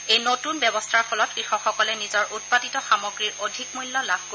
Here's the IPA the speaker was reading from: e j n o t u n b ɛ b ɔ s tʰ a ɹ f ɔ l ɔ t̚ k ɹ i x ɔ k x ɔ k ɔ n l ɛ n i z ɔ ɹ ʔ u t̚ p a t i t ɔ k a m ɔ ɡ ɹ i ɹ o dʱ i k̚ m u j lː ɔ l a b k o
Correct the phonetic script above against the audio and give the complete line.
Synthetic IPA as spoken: e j n o t u n b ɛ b ɔ s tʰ a ɹ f ɔ l ɔ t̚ k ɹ i x ɔ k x ɔ k ɔ l ɛ n i z ɔ ɹ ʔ u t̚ p a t i t ɔ x a m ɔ ɡ ɹ i ɹ o dʱ i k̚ m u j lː ɔ l a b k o